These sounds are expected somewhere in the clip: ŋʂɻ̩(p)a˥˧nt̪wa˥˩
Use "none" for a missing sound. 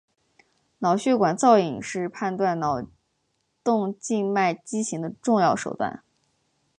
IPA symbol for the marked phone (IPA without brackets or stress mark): pʰ